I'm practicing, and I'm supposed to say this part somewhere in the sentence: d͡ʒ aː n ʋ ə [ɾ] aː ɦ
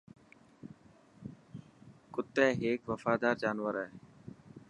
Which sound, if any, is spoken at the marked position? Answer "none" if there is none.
ɾ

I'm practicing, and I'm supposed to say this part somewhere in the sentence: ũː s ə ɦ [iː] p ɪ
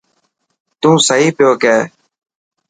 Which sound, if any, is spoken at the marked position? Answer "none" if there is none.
iː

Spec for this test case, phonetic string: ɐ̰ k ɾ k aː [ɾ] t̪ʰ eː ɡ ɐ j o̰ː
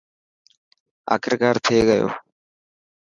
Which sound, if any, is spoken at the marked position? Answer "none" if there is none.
ɾ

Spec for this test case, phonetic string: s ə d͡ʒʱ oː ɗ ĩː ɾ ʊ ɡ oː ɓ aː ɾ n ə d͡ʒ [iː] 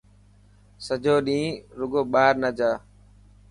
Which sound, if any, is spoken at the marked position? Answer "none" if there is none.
aː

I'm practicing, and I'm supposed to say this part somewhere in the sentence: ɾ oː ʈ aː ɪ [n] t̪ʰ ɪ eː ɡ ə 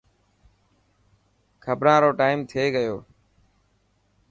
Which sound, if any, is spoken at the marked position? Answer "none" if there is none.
m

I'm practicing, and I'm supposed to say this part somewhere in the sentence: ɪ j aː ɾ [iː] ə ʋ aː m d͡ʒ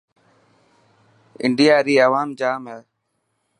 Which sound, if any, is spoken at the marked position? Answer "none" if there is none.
iː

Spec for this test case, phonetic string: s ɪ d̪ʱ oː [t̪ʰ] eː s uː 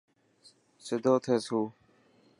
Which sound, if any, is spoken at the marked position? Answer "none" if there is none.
t̪ʰ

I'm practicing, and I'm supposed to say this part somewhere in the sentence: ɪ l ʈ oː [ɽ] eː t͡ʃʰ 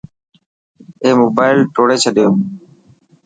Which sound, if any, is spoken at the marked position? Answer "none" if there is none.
ɽ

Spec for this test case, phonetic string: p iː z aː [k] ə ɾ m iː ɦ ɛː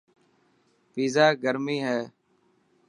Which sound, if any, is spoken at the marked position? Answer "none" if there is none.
ɡ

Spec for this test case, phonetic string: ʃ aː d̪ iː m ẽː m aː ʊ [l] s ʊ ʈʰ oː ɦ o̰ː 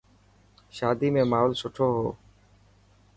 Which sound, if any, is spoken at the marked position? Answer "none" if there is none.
l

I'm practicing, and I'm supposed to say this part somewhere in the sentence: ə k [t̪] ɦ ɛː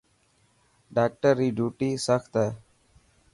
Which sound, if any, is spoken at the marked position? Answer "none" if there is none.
t̪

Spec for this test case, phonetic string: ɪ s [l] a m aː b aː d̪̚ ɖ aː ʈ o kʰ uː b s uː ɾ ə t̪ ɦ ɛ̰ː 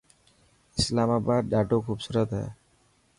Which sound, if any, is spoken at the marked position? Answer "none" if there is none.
l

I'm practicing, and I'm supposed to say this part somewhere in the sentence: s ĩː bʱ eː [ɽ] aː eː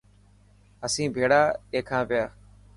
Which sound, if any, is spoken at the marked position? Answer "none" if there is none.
ɽ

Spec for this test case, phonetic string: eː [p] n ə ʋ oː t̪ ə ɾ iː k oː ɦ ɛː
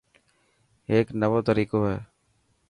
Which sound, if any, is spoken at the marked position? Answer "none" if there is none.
k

